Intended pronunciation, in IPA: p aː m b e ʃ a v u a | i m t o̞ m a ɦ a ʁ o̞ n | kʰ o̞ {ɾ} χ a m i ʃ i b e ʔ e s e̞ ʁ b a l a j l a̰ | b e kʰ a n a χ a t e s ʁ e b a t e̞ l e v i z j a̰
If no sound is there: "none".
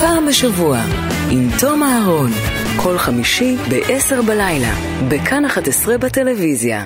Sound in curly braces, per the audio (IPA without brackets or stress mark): l